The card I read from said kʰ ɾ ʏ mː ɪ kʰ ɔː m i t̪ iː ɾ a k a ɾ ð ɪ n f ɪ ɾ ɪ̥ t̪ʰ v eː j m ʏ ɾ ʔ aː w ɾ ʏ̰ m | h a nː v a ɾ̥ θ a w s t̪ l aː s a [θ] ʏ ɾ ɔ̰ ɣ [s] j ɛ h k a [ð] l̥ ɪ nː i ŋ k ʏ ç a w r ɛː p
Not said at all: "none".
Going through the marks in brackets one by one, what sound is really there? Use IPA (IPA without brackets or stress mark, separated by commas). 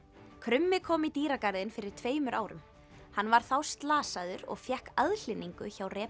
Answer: ð, f, ð